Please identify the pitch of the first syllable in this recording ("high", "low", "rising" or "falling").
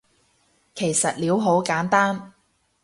low